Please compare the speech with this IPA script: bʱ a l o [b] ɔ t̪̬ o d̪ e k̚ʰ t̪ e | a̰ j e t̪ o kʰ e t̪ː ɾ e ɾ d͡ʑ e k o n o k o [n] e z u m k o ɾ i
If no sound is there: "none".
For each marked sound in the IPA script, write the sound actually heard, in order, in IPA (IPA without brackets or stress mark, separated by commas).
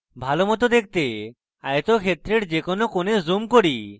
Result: m, n